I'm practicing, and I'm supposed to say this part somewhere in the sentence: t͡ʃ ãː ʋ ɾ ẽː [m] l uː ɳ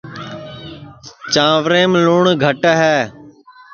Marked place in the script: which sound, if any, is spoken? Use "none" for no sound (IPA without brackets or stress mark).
m